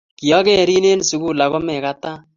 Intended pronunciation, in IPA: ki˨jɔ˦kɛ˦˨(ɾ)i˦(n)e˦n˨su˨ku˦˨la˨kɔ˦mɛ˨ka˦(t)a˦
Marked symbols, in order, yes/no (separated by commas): yes, yes, yes